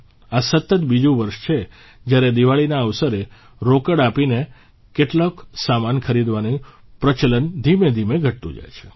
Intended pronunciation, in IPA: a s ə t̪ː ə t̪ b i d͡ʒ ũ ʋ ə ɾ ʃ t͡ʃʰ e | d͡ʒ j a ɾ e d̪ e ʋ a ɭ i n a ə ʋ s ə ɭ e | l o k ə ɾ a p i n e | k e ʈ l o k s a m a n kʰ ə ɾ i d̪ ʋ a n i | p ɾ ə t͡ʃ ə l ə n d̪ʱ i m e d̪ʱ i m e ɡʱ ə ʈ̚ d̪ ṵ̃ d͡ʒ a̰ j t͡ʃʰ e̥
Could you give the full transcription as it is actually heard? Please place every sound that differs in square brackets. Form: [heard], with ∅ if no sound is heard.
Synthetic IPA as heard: a s ə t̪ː ə t̪ b i d͡ʒ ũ ʋ ə ɾ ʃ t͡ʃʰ e | d͡ʒ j a ɾ e d̪ [i] ʋ a ɭ i n a ə ʋ s ə [ɾ] e | [ɾ] o k ə [ɽ] a p i n e | k e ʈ l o k s a m a n kʰ ə ɾ i d̪ ʋ a n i | p ɾ ə t͡ʃ ə l ə n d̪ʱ i m e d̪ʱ i m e ɡʱ ə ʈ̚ [t̪] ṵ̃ d͡ʒ a̰ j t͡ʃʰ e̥